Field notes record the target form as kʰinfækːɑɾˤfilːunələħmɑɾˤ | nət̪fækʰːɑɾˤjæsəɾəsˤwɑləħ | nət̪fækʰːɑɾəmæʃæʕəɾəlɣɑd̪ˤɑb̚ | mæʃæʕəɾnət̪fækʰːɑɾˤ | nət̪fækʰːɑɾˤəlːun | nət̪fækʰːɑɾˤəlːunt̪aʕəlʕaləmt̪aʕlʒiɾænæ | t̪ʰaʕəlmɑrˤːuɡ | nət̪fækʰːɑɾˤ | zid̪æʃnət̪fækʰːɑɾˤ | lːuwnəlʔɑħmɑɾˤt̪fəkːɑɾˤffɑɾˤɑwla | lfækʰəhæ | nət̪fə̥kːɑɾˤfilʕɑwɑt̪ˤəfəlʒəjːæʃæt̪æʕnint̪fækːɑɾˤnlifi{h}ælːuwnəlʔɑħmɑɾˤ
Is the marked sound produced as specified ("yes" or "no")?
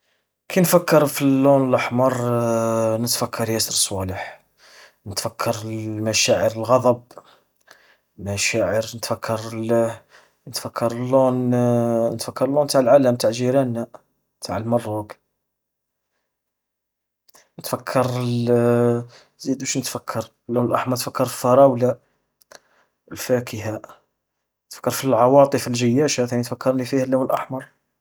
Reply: yes